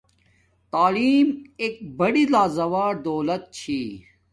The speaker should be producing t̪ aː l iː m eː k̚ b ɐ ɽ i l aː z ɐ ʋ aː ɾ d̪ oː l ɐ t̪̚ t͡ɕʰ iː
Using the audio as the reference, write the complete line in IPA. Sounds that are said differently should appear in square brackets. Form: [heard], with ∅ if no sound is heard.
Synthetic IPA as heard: t̪ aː l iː m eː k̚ b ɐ ɽ i l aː z ɐ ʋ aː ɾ d̪ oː l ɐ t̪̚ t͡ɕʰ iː